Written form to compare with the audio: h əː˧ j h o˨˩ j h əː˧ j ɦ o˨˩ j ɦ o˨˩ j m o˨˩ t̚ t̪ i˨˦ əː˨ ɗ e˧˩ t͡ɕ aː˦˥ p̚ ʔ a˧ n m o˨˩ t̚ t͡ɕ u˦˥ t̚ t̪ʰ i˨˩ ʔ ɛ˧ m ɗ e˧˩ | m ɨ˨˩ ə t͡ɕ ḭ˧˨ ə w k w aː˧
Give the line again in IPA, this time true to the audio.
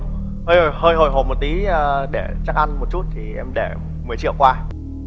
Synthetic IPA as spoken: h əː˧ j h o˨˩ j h əː˧ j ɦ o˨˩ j ɦ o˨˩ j m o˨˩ t̚ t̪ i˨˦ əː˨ ɗ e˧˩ t͡ɕ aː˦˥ k̚ ʔ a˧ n m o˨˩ t̚ t͡ɕ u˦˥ t̚ t̪ʰ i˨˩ ʔ ɛ˧ m ɗ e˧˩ | m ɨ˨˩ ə t͡ɕ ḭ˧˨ ə w k w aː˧